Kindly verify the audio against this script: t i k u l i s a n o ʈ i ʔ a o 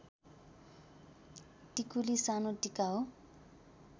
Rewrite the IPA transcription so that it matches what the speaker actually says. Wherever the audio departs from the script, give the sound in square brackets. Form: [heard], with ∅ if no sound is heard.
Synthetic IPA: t i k u l i s a n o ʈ i [k] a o